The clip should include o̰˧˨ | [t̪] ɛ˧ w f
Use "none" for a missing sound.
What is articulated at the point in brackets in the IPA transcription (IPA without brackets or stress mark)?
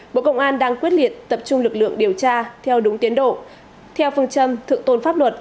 t̪ʰ